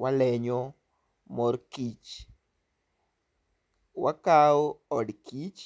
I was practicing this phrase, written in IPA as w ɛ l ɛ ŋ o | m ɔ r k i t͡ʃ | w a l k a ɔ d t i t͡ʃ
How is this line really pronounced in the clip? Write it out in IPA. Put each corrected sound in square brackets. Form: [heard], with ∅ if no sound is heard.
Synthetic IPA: w [a] l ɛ [ɲ] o | m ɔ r k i t͡ʃ | w a [∅] k a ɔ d [k] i t͡ʃ